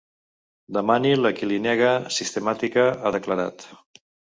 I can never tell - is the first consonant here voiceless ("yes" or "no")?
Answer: no